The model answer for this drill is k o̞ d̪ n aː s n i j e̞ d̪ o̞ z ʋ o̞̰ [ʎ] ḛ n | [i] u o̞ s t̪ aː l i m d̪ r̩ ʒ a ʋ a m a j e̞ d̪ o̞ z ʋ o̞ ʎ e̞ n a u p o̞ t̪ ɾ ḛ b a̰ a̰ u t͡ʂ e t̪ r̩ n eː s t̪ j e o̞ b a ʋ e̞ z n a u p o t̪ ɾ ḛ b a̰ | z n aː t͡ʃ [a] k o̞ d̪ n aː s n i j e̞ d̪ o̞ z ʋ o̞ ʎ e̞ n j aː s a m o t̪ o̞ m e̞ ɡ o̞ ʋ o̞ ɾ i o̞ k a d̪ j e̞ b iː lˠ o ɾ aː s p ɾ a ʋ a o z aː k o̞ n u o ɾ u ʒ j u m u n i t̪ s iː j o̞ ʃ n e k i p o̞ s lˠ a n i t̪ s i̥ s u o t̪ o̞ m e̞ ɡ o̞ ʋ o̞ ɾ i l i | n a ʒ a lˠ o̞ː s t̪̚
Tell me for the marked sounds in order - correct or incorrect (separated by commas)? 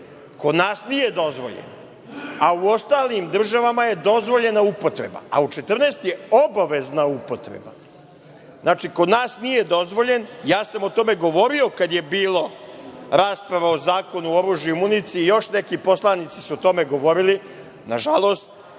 correct, incorrect, incorrect